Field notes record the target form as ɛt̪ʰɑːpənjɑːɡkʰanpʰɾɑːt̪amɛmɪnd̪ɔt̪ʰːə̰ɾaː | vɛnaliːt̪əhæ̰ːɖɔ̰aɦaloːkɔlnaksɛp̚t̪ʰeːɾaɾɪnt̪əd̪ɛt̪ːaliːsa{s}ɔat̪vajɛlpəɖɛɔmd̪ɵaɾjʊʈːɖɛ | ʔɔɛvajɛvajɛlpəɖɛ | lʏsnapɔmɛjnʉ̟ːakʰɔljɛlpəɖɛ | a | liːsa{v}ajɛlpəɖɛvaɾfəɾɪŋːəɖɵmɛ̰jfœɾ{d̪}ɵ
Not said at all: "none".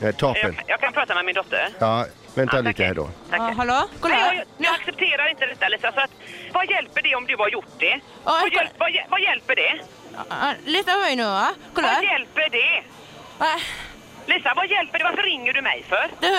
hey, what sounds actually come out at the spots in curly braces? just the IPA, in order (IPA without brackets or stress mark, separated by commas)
s, v, d̪